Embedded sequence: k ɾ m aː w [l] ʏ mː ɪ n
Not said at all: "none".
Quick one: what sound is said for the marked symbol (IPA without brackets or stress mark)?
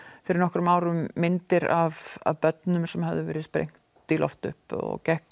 ɾ